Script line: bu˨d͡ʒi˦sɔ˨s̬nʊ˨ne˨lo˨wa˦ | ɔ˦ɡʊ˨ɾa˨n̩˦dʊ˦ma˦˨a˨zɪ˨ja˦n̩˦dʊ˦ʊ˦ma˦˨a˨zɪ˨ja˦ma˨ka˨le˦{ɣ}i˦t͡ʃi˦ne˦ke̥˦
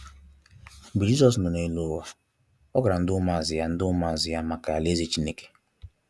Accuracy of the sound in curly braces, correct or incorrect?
incorrect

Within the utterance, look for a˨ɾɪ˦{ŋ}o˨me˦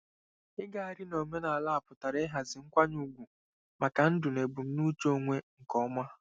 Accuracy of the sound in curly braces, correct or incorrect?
incorrect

